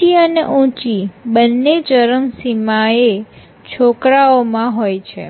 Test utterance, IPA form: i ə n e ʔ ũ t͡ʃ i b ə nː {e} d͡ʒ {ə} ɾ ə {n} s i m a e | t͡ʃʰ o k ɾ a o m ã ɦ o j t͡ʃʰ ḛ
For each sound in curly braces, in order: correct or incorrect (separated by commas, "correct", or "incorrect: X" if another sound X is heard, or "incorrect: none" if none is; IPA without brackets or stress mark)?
correct, correct, incorrect: m